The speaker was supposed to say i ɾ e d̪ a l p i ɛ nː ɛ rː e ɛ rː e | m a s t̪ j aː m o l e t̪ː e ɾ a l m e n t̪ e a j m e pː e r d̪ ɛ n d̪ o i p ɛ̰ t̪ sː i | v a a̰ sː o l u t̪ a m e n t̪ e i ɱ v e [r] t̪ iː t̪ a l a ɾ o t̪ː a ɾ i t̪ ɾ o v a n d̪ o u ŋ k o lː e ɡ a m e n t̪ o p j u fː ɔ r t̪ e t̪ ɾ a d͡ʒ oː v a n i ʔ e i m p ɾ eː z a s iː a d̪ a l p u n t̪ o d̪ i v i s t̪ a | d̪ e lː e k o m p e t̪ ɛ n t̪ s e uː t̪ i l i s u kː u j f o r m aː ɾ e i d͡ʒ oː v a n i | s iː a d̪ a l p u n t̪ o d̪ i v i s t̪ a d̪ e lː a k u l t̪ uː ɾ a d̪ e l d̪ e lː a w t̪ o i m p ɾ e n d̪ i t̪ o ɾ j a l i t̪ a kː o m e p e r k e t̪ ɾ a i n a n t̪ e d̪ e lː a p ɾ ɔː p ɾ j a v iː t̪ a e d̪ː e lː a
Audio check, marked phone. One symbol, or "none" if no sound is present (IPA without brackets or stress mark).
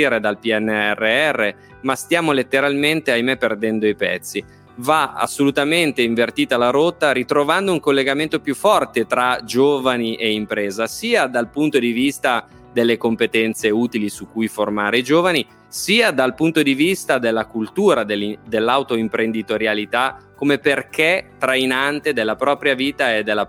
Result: r